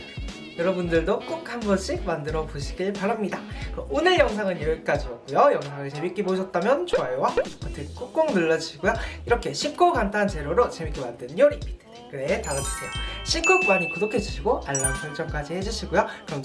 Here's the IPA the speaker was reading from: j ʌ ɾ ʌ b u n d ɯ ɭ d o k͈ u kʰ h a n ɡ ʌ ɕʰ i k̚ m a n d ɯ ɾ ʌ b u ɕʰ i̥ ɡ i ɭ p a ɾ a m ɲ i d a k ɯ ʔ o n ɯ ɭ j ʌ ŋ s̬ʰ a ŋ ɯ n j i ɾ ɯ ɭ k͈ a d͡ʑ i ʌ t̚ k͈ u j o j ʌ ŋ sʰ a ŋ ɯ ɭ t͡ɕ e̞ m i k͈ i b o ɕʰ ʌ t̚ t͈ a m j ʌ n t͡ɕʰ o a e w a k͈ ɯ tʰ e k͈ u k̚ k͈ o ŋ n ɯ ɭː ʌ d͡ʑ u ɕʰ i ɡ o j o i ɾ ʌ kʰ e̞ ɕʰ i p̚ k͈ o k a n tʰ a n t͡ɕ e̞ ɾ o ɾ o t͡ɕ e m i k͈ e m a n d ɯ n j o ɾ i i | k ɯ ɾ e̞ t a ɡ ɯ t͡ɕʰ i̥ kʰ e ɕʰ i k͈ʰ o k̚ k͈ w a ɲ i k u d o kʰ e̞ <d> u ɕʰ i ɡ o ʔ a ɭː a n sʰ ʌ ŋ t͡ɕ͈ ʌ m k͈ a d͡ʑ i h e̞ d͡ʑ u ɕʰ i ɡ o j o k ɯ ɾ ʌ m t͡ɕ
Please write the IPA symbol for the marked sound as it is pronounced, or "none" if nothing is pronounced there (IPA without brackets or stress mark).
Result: d͡ʑ